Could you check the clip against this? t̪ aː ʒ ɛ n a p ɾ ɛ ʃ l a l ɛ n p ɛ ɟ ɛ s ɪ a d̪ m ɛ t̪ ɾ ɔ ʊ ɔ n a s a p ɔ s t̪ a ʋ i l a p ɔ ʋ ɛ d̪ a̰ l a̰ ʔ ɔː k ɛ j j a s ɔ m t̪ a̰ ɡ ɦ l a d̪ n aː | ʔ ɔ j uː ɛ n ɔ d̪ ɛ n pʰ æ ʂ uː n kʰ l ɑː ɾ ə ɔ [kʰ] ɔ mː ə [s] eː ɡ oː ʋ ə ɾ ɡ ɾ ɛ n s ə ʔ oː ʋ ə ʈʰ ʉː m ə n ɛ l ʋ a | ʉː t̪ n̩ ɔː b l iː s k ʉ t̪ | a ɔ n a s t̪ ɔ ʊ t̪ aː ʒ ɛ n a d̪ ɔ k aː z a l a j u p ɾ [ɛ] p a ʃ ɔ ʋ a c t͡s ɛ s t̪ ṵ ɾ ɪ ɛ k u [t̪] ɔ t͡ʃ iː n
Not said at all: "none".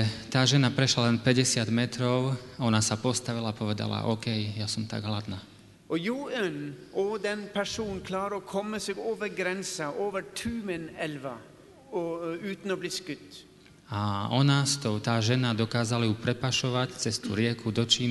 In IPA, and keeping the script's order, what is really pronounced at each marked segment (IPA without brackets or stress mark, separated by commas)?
kʰ, s, ɛ, d̪